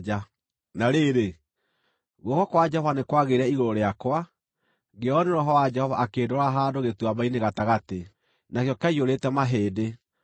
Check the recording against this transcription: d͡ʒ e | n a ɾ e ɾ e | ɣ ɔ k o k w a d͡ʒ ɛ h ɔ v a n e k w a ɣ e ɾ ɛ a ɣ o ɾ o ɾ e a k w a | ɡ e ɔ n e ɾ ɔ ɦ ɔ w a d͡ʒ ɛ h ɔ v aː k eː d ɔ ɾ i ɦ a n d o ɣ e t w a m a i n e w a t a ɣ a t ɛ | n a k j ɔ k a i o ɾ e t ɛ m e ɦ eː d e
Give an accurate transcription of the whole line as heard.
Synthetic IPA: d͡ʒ a | n a ɾ e ɾ e | ɣ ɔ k ɔ k w a d͡ʒ ɛ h ɔ v a n e k w a ɣ e ɾ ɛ i ɣ o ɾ o ɾ e a k w a | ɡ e ɔ n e ɾ ɔ ɦ ɔ w a d͡ʒ ɛ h ɔ v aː k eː d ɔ ɾ a ɦ a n d o ɣ e t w a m a i n e ɣ a t a ɣ a t e | n a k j ɔ k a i o ɾ e t ɛ m a ɦ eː d e